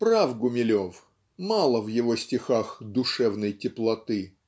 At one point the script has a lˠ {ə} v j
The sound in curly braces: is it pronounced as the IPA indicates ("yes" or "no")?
yes